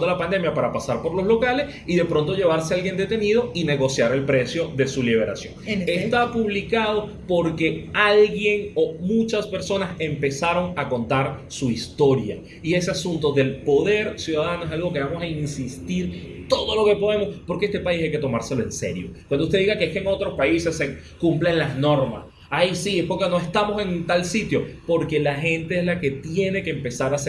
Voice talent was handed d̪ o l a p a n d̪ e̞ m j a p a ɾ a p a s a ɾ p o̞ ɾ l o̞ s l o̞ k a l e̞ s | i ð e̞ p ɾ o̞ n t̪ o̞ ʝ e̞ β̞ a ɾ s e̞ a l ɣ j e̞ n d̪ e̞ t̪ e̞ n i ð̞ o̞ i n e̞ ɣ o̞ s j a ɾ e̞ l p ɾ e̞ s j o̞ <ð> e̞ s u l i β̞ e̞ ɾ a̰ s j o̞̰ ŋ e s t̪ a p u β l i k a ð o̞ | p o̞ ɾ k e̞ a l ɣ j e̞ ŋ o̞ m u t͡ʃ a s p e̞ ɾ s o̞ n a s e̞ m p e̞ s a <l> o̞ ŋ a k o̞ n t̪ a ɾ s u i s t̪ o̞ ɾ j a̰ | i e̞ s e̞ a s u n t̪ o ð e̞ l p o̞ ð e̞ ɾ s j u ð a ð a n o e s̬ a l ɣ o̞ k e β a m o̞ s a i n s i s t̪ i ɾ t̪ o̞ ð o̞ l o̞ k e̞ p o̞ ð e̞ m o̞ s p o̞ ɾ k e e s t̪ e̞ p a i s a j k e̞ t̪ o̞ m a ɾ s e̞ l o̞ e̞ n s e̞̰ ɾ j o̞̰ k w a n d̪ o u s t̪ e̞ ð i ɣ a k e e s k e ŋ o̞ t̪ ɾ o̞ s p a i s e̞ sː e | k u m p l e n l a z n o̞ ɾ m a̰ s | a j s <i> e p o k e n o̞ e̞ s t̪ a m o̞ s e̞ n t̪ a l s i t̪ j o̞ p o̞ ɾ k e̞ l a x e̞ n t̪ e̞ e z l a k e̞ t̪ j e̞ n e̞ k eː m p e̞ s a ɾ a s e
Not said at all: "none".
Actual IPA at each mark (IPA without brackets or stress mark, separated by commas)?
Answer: ð, ɾ, i